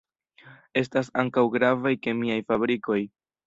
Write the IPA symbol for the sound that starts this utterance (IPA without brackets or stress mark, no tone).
e̞